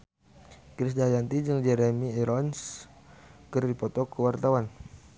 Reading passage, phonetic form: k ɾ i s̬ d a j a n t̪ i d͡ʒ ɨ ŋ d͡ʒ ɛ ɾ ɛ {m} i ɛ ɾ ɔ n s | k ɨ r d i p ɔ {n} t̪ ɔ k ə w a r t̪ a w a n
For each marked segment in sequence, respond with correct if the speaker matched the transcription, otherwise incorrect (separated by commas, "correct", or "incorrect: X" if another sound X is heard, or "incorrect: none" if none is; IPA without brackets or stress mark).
correct, incorrect: none